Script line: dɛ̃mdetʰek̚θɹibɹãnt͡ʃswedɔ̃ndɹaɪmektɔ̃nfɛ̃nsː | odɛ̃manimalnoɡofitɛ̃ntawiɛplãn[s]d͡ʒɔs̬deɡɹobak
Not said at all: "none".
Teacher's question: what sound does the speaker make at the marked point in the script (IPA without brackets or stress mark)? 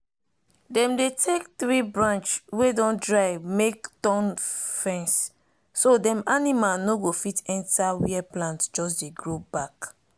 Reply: t